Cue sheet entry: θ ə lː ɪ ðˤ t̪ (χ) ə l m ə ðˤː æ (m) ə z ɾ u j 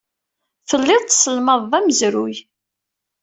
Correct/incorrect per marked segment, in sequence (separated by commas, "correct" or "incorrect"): incorrect, correct